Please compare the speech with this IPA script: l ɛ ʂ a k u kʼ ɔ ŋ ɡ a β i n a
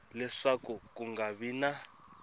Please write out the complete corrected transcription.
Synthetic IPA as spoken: l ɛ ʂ a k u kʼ u ŋ ɡ a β i n a